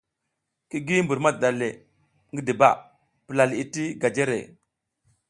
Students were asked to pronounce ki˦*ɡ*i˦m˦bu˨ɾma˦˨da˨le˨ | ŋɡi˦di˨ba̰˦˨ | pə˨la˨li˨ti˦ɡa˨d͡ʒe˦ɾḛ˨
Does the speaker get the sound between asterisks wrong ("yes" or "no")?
no